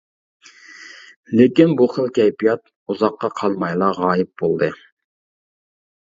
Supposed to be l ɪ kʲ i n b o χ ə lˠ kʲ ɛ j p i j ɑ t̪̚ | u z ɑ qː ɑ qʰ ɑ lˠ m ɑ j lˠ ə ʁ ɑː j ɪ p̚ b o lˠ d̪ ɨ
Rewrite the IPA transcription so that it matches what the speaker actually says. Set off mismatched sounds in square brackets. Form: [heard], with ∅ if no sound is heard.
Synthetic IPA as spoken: l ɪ kʲ i n b [u] χ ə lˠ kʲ ɛ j p i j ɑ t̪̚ | u z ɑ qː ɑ qʰ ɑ lˠ m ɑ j lˠ [ɑ] ʁ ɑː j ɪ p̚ b o lˠ d̪ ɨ